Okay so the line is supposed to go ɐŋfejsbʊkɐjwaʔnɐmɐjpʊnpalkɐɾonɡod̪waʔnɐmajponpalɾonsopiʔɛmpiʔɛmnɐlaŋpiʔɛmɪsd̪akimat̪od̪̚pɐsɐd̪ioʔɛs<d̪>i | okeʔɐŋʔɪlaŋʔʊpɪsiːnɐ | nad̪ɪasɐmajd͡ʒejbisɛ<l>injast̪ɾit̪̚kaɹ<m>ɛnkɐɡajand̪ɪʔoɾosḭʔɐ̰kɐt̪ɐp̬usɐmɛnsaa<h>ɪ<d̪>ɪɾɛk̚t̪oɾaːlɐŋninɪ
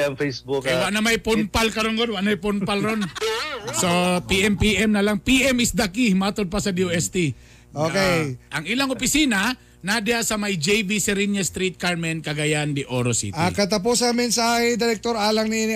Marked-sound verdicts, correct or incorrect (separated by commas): incorrect, incorrect, correct, correct, correct